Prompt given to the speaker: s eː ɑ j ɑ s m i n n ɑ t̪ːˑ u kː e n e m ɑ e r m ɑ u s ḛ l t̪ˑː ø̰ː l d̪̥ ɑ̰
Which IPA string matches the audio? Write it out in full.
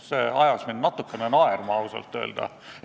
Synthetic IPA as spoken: s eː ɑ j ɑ s m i n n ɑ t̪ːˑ u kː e n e n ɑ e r m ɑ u s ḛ l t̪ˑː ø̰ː l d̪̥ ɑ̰